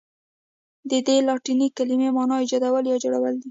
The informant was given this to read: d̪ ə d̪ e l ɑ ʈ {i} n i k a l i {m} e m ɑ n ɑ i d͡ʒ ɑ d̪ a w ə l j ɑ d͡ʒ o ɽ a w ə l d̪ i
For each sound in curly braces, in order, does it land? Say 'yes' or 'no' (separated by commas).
yes, yes